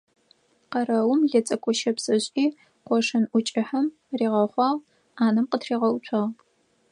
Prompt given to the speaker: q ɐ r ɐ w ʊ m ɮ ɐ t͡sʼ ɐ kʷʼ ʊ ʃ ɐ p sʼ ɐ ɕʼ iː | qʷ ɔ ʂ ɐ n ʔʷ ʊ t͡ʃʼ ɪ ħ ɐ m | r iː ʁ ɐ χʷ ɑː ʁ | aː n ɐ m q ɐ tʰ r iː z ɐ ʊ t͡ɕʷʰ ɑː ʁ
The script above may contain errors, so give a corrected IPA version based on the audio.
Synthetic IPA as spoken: q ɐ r ɐ w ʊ m ɮ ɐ t͡sʼ ɐ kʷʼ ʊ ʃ ɐ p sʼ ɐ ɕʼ iː | qʷ ɔ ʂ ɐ n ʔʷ ʊ t͡ʃʼ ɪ ħ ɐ m | r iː ʁ ɐ χʷ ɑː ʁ | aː n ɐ m q ə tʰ r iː ʁ ɐ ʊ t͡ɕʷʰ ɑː ʁ